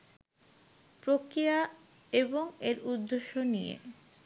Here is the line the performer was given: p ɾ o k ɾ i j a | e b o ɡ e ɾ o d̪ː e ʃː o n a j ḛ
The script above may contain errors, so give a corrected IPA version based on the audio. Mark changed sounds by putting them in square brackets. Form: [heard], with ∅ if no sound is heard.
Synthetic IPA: p ɾ o k ɾ i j a | e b o [ŋ] e ɾ [u] d̪ː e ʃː o n [i] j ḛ